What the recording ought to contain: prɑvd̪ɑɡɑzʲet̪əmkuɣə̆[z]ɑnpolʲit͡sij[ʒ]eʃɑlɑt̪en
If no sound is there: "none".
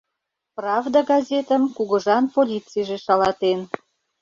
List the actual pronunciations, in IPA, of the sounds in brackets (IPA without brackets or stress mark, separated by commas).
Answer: ʒ, ʒ